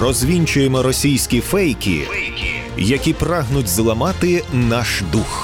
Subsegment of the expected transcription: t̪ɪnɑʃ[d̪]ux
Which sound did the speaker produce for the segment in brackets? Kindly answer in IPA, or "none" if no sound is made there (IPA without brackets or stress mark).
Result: d̪